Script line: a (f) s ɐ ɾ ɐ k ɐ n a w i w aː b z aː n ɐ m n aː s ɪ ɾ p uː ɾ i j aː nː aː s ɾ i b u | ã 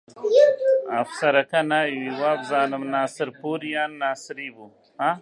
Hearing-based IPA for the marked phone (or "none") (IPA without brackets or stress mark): f